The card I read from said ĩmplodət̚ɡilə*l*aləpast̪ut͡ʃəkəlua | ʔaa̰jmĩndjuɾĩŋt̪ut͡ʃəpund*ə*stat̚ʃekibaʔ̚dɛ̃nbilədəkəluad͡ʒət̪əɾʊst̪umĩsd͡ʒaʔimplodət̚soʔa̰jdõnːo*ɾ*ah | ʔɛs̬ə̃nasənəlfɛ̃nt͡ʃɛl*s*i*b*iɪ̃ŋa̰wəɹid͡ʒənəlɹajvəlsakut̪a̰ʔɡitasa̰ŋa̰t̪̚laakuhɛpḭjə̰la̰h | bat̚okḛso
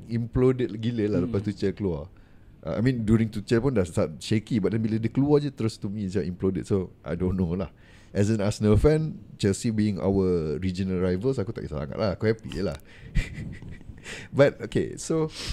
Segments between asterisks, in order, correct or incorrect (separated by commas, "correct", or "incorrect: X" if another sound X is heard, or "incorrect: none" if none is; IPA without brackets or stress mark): correct, incorrect: a, incorrect: l, correct, correct